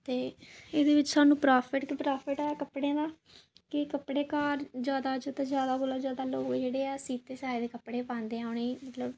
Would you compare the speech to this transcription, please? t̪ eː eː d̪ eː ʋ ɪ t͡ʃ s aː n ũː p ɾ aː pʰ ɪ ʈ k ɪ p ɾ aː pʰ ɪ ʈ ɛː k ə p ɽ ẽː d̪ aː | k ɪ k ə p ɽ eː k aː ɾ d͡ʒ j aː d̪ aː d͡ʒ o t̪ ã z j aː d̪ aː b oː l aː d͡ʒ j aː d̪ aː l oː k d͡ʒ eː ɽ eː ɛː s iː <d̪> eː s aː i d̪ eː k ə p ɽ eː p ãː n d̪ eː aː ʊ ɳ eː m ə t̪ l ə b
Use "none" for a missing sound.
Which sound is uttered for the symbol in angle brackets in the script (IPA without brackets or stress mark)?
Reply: t̪